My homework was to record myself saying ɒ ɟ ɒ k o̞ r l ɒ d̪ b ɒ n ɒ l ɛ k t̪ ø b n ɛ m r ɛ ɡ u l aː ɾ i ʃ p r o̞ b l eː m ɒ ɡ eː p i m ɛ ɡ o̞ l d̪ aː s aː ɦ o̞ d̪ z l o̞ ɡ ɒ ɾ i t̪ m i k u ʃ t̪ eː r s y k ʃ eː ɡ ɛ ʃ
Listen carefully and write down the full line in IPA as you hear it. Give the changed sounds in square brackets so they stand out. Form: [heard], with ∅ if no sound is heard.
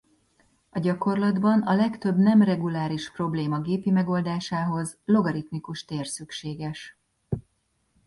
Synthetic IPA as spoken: ɒ ɟ ɒ k o̞ r l ɒ d̪ b ɒ n ɒ l ɛ k t̪ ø b n ɛ m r ɛ ɡ u l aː ɾ i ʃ p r o̞ b l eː m ɒ ɡ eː p i m ɛ ɡ o̞ l d̪ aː [ʃ] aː ɦ o̞ [∅] z l o̞ ɡ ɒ ɾ i t̪ m i k u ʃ t̪ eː r s y k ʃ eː ɡ ɛ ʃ